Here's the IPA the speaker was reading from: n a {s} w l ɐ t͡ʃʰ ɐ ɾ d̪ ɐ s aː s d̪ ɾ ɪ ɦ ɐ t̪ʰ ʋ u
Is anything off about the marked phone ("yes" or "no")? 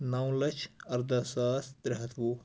yes